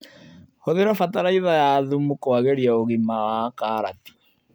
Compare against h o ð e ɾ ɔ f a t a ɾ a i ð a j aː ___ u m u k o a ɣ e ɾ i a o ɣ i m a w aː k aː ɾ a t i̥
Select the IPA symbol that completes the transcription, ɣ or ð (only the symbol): ð